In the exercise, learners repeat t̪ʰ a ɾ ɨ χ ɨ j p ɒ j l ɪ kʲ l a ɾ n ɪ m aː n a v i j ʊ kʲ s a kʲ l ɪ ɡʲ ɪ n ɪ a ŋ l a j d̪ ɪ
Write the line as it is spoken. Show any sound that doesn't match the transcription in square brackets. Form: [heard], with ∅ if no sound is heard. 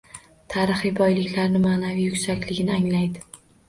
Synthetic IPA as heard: t̪ʰ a ɾ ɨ χ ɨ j [b] ɒ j l ɪ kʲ l a ɾ n ɪ m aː n a v i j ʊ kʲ s a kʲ l ɪ ɡʲ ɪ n ɪ a ŋ l a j d̪ ɪ

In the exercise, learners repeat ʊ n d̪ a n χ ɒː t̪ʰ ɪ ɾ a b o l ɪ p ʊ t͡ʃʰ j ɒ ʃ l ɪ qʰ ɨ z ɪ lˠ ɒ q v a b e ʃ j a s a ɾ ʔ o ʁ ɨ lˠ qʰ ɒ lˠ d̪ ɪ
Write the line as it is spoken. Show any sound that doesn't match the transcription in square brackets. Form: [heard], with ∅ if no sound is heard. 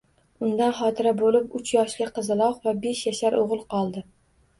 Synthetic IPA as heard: ʊ n d̪ a n χ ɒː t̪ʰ ɪ ɾ a b o l ɪ p ʊ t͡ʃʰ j ɒ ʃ l ɪ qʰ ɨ z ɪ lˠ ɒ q v a b e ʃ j a [ʃ] a ɾ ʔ o ʁ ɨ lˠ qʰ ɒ lˠ d̪ ɪ

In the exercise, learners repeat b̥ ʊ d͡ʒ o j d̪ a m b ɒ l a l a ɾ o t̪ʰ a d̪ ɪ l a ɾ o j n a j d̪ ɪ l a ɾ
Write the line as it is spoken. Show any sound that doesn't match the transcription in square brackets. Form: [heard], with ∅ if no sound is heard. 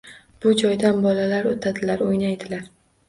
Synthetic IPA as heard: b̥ ʊ d͡ʒ [ɒ] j d̪ a [n] b ɒ l a l a ɾ o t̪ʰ a d̪ ɪ l a ɾ o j n a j d̪ ɪ l a ɾ

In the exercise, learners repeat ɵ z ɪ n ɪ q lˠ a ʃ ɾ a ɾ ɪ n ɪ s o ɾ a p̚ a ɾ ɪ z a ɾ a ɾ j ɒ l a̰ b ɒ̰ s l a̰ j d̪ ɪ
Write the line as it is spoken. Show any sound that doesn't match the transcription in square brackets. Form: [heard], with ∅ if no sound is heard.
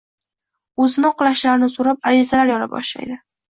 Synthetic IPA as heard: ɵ z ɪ n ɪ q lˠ a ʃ [l] a ɾ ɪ n ɪ s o ɾ a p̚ a ɾ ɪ z a [l] a ɾ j ɒ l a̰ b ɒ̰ [ʃ] l a̰ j d̪ ɪ

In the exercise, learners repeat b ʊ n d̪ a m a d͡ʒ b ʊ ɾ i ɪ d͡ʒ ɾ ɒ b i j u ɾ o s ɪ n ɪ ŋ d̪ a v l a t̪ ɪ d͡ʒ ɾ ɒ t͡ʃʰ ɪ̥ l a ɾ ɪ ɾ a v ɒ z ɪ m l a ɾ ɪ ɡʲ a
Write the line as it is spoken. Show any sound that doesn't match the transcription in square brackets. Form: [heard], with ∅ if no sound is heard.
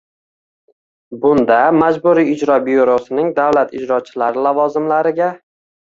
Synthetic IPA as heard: b ʊ n d̪ a m a d͡ʒ b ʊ ɾ i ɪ d͡ʒ ɾ ɒ b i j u ɾ o s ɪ n ɪ ŋ d̪ a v l a t̪ ɪ d͡ʒ ɾ ɒ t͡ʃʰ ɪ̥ l a ɾ ɪ [l] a v ɒ z ɪ m l a ɾ ɪ ɡʲ a

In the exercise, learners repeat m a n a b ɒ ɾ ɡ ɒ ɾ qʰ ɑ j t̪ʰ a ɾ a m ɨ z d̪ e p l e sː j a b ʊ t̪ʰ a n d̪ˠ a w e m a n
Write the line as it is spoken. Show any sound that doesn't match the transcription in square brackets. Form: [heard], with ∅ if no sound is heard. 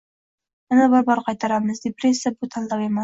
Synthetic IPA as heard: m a n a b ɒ ɾ [b] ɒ ɾ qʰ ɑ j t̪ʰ a ɾ a m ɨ z d̪ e p [ɾ] e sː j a b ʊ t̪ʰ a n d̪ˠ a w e m a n

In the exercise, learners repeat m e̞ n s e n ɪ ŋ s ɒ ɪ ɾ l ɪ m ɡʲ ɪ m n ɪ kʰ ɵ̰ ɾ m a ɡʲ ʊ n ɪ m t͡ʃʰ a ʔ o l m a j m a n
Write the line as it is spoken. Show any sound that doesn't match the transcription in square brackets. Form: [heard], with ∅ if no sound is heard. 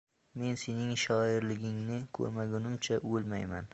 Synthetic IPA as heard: m e̞ n s e n ɪ ŋ [ʃ] ɒ ɪ ɾ l ɪ [∅] ɡʲ ɪ [ŋ] n ɪ kʰ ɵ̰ ɾ m a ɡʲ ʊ n ɪ m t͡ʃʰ a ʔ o l m a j m a n

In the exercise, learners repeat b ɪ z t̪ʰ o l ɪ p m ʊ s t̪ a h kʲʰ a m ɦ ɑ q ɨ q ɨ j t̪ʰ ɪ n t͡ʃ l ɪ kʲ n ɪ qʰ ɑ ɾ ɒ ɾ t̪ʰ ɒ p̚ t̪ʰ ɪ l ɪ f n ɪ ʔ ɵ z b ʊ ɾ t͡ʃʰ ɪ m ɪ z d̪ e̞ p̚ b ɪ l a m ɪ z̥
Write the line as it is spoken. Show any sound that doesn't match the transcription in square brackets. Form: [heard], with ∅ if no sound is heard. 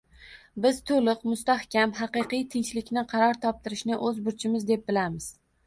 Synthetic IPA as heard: b ɪ z t̪ʰ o l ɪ [q] m ʊ s t̪ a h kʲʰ a m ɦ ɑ q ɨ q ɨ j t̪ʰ ɪ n t͡ʃ l ɪ kʲ n ɪ qʰ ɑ ɾ ɒ ɾ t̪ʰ ɒ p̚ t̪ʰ ɪ [ɾ] ɪ [ʃ] n ɪ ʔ ɵ z b ʊ ɾ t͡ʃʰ ɪ m ɪ z d̪ e̞ p̚ b ɪ l a m ɪ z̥

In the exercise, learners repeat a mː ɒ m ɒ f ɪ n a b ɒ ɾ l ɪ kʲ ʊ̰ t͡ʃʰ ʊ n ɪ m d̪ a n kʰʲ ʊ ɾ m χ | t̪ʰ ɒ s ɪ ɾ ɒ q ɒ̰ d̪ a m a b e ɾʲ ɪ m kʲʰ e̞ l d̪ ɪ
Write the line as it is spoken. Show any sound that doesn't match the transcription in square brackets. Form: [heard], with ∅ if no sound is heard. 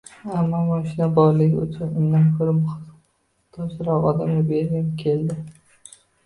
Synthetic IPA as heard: a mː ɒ m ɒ [ʃ] ɪ n a b ɒ ɾ l ɪ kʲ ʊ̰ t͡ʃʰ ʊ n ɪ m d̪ a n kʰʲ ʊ ɾ m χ | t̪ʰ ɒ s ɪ ɾ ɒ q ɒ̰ d̪ a m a b e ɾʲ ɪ m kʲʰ e̞ l d̪ ɪ

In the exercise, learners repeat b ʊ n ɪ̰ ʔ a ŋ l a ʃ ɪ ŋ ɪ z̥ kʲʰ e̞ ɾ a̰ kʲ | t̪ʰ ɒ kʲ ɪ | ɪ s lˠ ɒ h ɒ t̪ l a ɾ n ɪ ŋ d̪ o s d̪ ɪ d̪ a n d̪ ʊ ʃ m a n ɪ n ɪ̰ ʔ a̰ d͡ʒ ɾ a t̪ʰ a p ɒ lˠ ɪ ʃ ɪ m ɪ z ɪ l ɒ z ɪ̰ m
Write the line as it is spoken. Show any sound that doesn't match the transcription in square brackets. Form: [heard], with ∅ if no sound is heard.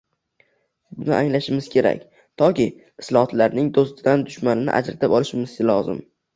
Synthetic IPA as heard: b ʊ n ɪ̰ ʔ a ŋ l a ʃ ɪ [m] ɪ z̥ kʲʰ e̞ ɾ a̰ kʲ | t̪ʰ ɒ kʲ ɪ | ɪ s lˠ ɒ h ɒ t̪ l a ɾ n ɪ ŋ d̪ o s [t̪] ɪ d̪ a n d̪ ʊ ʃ m a n ɪ n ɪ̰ ʔ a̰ d͡ʒ ɾ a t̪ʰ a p ɒ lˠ ɪ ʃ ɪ m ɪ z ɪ l ɒ z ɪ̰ m

